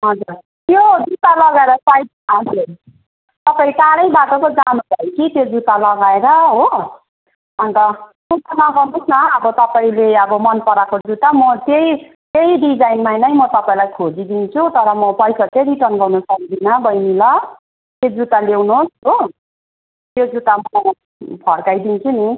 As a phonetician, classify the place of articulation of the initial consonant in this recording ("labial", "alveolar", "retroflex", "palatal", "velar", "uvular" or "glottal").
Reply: glottal